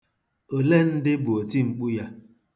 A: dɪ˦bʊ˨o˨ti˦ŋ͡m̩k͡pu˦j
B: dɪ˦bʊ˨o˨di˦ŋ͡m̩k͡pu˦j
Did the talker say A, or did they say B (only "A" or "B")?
A